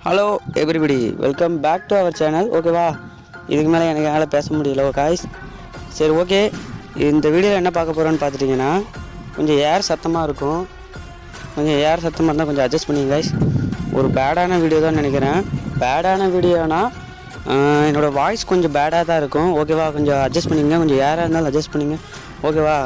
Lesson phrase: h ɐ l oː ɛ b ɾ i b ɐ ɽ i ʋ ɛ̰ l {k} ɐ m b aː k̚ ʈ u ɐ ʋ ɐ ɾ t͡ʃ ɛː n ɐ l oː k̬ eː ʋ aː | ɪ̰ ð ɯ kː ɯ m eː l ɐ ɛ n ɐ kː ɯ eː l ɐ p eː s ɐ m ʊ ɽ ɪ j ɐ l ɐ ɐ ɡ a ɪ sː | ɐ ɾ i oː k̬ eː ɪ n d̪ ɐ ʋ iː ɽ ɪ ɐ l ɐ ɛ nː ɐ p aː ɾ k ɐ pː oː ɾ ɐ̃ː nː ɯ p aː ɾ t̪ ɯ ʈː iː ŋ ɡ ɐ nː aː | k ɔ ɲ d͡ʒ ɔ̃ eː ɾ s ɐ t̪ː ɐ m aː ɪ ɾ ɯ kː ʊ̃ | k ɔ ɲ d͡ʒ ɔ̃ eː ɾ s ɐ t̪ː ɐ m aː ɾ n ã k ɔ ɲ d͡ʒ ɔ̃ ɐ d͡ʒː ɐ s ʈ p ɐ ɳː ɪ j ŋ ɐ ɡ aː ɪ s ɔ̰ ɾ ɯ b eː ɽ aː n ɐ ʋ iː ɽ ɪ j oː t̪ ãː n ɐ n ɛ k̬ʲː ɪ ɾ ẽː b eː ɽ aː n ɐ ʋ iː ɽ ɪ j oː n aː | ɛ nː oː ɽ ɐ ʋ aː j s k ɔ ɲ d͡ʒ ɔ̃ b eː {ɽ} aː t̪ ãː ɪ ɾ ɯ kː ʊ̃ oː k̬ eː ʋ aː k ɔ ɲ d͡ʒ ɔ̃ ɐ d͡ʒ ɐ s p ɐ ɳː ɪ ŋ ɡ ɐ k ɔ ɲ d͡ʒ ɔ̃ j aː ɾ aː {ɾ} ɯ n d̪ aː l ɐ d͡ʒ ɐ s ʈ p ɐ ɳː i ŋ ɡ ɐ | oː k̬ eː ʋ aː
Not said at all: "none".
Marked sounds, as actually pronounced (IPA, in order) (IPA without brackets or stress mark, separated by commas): k, ɽ, ɾ